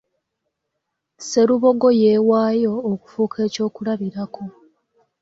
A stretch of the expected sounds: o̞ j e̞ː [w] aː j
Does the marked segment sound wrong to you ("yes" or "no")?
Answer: no